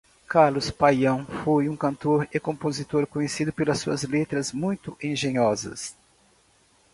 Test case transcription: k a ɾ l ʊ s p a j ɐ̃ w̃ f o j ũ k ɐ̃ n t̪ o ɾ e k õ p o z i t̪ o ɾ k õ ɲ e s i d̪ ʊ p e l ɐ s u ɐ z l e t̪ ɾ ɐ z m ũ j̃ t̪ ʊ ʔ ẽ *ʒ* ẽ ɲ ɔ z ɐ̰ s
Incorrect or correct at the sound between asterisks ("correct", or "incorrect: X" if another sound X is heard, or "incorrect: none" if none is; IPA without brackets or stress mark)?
correct